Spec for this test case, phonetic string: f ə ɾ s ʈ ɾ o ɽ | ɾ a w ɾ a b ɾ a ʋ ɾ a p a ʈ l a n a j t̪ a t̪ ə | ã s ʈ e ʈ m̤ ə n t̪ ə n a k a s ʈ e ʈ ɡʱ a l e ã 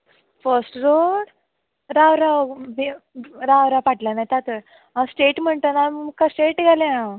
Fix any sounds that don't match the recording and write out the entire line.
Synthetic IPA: f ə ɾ s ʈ ɾ o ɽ | ɾ a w ɾ a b ɾ a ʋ ɾ a p a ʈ l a n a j t̪ a t̪ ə | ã s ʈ e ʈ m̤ ə ɳ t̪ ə n a k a s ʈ e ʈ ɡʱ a l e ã

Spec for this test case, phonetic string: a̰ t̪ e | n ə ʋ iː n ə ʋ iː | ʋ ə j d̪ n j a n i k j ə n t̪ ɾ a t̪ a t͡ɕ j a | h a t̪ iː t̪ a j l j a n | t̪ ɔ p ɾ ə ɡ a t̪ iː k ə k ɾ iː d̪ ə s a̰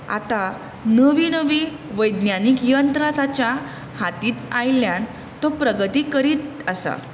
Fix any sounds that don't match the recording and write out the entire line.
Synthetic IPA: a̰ t̪ a | n ə ʋ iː n ə ʋ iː | ʋ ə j d̪ n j a n i k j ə n t̪ ɾ a t̪ a t͡ɕ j a | h a t̪ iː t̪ a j l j a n | t̪ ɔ p ɾ ə ɡ ə t̪ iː k ə ɾ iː t̪ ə s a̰

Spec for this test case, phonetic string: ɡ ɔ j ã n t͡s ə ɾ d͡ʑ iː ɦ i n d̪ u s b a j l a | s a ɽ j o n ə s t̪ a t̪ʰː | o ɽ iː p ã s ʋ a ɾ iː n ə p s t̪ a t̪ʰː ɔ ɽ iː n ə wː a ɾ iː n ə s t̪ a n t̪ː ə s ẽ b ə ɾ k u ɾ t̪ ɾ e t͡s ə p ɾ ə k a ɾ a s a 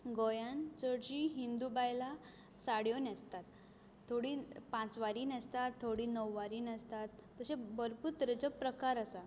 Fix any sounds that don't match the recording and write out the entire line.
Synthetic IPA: ɡ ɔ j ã n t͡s ə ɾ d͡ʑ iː ɦ i n d̪ u b a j l a | s a ɽ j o n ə s t̪ a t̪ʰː | o ɽ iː p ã t͡s ʋ a ɾ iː n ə s t̪ a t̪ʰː o ɽ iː n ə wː a ɾ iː n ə s t̪ a t̪ː ə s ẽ b ə ɾ p u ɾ t̪ ɾ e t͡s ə p ɾ ə k a ɾ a s a

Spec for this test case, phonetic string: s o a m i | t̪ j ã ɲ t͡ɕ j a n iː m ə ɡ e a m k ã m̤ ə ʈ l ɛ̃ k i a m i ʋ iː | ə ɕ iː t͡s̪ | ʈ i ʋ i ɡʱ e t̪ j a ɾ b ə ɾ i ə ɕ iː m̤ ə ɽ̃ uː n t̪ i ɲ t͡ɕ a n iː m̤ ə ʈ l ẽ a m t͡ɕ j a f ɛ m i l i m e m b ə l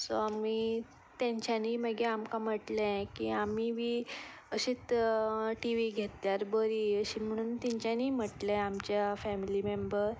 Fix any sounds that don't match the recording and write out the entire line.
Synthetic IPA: s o a m i | t̪ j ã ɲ t͡ɕ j a n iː m ə ɡ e a m k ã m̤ ə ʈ l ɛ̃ k i a m i ʋ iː | ə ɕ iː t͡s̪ | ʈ i ʋ i ɡʱ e t̪ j a ɾ b ə ɾ i ə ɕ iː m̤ ə ɽ̃ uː n t̪ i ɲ t͡ɕ a n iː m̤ ə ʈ l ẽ a m t͡ɕ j a f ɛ m i l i m e m b ə ɾ

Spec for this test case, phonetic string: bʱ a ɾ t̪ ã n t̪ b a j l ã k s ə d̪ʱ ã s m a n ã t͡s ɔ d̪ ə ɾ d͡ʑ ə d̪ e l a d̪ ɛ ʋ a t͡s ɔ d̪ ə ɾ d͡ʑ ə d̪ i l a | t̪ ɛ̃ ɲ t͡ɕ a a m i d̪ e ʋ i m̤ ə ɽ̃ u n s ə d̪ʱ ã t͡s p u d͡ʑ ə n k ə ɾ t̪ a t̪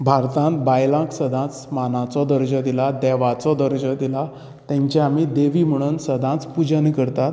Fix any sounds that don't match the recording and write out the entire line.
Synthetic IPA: bʱ a ɾ t̪ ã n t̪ b a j l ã k s ə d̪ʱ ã t͡s m a n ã t͡s ɔ d̪ ə ɾ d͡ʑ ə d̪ i l a d̪ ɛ ʋ a t͡s ɔ d̪ ə ɾ d͡ʑ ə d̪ i l a | t̪ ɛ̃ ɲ t͡ɕ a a m i d̪ e ʋ i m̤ ə ɽ̃ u n s ə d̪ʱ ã t͡s p u d͡ʑ ə n k ə ɾ t̪ a t̪

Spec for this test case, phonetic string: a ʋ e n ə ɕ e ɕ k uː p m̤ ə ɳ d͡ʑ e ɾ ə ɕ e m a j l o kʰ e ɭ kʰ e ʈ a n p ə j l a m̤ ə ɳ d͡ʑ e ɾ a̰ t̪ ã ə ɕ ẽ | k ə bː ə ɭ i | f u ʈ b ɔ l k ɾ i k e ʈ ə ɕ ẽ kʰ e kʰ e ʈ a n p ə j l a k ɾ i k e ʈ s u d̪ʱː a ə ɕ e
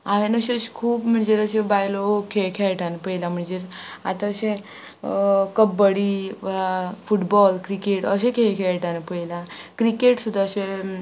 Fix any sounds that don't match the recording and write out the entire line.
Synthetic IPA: a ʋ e n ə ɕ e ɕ kʰ uː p m̤ ə ɳ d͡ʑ e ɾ ə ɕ e b a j l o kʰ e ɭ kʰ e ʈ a n p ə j l a m̤ ə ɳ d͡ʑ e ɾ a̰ t̪ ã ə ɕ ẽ | k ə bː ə ɽ i | f u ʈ b ɔ l k ɾ i k e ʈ ə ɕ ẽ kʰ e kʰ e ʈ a n p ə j l a k ɾ i k e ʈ s u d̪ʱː a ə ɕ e

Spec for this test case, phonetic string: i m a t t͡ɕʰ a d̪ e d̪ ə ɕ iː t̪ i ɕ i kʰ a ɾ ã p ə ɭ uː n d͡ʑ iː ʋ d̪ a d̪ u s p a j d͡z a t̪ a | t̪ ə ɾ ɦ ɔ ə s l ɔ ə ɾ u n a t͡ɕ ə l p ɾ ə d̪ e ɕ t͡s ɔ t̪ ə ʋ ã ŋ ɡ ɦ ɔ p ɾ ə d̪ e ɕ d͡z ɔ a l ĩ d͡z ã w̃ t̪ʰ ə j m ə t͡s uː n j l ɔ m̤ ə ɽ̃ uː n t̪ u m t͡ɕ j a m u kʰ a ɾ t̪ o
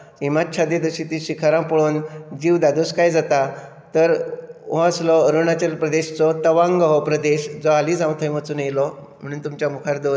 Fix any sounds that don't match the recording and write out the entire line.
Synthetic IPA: i m a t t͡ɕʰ a d̪ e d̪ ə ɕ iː t̪ i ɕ i kʰ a ɾ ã p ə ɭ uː n d͡ʑ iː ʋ d̪ a d̪ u s k a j d͡z a t̪ a | t̪ ə ɾ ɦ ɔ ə s l ɔ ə ɾ u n a t͡ɕ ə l p ɾ ə d̪ e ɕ t͡s ɔ t̪ ə ʋ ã ŋ ɡ ɦ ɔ p ɾ ə d̪ e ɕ d͡z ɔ a l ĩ d͡z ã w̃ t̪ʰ ə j m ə t͡s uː n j l ɔ m̤ ə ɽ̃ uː n t̪ u m t͡ɕ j a m u kʰ a ɾ d̪ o

